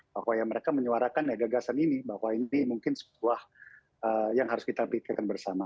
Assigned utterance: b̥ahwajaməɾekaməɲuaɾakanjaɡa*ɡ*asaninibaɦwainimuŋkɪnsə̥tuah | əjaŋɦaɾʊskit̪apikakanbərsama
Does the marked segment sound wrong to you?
no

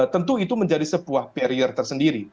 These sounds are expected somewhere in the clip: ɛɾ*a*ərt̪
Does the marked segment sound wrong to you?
yes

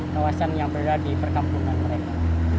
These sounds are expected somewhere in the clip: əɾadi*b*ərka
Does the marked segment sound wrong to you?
yes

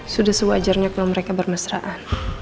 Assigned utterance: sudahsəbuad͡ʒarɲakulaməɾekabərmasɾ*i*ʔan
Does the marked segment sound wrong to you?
yes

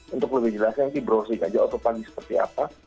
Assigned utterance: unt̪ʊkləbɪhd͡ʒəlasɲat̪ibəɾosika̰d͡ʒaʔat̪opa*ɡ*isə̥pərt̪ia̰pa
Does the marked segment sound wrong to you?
no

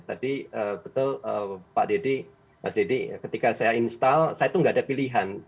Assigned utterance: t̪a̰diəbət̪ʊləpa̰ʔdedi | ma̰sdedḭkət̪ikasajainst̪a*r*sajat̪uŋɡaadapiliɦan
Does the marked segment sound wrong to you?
yes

